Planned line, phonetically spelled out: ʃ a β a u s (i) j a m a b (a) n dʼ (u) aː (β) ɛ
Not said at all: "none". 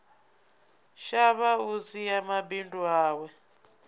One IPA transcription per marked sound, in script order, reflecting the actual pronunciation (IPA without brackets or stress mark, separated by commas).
i, i, u, w